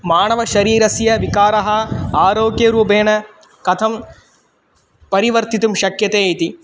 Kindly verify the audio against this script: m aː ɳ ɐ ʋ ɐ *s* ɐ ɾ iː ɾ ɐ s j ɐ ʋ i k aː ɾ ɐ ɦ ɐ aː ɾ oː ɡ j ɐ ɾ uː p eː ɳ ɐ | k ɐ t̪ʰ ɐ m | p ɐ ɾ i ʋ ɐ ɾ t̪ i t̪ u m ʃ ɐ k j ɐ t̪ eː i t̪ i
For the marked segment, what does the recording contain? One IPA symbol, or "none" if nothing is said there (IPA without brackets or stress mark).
ʃ